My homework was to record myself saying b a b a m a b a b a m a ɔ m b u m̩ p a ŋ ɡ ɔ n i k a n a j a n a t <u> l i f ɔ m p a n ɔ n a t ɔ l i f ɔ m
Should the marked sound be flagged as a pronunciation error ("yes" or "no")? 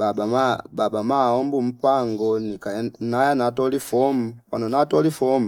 yes